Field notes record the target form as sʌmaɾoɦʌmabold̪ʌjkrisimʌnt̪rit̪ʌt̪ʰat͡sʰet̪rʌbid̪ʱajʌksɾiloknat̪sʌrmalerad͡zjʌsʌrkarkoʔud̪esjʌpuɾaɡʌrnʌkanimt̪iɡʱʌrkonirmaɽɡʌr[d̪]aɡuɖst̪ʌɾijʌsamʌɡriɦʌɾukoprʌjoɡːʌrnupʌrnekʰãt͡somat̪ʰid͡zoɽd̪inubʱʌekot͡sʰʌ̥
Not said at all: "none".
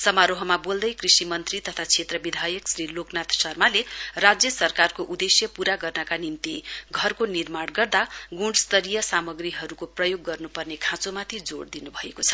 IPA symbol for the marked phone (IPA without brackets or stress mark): d̪